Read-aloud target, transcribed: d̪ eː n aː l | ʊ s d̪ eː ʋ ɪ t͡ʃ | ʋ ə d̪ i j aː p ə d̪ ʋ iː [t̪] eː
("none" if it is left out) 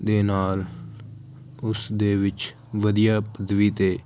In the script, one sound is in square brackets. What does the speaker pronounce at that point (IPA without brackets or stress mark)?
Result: t̪